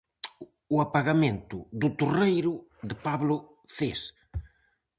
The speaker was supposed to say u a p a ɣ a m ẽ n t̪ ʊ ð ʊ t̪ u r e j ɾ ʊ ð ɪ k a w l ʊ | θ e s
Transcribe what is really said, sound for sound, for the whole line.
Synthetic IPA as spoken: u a p a ɣ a m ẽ n t̪ ʊ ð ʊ t̪ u r e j ɾ ʊ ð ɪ p a β l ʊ | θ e s